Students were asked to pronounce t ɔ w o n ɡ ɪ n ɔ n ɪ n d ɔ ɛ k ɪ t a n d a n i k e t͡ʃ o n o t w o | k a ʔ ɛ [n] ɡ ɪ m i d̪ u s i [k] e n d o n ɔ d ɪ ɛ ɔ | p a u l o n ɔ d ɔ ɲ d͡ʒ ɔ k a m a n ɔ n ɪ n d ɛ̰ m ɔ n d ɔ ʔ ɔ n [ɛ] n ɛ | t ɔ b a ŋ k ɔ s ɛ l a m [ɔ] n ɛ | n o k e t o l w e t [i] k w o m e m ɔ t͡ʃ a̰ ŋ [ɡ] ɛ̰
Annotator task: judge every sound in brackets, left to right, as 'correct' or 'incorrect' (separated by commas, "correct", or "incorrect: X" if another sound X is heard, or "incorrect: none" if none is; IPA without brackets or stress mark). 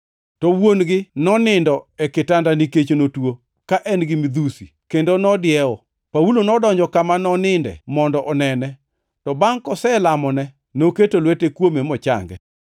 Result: correct, correct, correct, correct, incorrect: e, correct